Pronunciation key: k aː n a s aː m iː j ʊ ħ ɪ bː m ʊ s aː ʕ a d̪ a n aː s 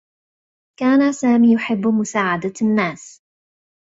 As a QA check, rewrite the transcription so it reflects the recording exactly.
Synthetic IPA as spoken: k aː n a s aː m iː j ʊ ħ ɪ bː m ʊ s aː ʕ a d̪ a nː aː s